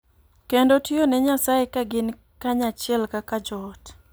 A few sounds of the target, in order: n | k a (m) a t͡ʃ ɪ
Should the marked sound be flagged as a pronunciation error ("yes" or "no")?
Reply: yes